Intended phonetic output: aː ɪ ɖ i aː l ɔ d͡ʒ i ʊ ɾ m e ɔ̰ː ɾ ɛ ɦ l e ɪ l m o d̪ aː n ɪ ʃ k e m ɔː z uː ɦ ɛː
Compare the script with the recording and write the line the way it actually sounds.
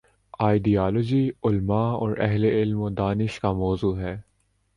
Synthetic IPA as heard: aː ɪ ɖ i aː l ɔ d͡ʒ i ʊ l m a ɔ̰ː ɾ ɛ ɦ l e ɪ l m o d̪ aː n ɪ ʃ k a m ɔː z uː ɦ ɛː